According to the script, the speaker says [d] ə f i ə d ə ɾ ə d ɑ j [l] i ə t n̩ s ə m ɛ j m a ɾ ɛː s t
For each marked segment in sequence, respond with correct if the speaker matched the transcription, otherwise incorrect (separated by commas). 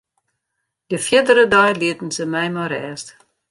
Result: correct, correct